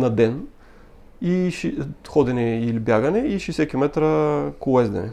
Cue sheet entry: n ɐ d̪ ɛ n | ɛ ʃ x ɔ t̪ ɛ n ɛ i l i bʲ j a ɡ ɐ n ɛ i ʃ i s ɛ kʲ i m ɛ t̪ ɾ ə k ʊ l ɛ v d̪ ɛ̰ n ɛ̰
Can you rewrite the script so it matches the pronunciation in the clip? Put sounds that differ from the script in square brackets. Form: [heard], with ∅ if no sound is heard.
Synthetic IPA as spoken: n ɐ d̪ ɛ n | [i] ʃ x ɔ [d̪] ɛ n ɛ i l i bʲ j a ɡ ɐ n ɛ i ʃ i s ɛ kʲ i m ɛ t̪ ɾ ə k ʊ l ɛ [z] d̪ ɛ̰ n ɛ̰